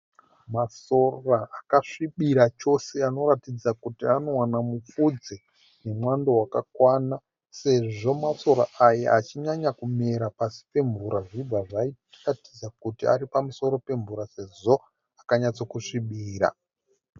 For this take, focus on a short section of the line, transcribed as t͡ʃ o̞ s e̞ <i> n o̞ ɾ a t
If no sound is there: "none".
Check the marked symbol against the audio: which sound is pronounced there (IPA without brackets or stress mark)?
a